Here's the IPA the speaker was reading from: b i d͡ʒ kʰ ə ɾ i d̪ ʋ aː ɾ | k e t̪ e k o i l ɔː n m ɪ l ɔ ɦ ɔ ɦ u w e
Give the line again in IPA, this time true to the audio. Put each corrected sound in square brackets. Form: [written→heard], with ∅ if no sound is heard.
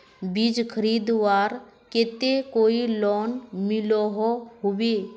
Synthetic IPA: b i d͡ʒ kʰ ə ɾ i d̪ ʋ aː ɾ | k e t̪ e k o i l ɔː n m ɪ l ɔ ɦ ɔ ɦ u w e